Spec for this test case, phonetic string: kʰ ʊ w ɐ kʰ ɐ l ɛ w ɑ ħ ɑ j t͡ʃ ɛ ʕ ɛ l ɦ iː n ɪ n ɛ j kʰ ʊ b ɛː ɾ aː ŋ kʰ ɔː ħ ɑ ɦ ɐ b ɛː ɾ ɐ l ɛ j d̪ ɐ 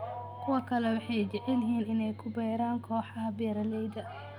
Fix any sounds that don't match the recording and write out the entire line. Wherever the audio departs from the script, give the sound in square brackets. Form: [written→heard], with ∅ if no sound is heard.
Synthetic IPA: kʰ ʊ w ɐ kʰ ɐ l ɛ w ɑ ħ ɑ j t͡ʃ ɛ ʕ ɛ l ɦ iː n ɪ n ɛ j kʰ ʊ b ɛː ɾ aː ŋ kʰ ɔː ħ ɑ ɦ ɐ b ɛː ɾ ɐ l ɛ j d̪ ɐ